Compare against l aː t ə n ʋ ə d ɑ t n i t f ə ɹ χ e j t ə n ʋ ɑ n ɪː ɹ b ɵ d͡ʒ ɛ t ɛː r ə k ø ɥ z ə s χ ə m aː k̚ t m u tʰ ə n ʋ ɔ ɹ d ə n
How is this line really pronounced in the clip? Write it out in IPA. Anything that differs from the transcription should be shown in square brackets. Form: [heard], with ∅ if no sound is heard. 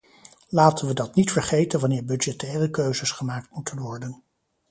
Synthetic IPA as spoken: l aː t ə n ʋ ə d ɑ t n i t f ə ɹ χ e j t ə n ʋ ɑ n ɪː ɹ b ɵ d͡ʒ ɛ t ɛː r ə k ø ɥ z ə s χ ə m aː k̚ t m u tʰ ə n ʋ ɔ ɹ d ə n